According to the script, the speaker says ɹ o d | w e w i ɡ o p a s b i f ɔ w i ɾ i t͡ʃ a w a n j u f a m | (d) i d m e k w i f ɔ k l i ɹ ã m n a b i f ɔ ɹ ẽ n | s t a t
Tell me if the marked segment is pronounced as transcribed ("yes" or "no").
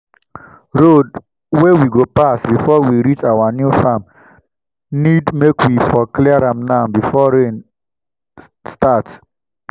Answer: no